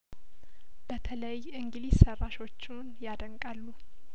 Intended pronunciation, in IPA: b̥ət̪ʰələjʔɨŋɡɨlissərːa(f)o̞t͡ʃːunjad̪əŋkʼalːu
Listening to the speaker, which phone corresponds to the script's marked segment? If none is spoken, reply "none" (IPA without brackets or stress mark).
ʃ